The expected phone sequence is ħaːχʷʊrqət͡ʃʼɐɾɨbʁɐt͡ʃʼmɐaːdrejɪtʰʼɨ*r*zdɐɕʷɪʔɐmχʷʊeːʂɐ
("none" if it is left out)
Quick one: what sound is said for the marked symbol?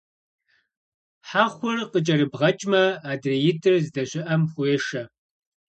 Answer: r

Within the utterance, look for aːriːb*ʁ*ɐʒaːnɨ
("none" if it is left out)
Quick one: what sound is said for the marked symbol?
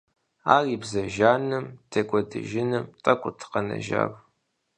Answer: z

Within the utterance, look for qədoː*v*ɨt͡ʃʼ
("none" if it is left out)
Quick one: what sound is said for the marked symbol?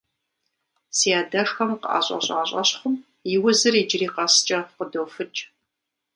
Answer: f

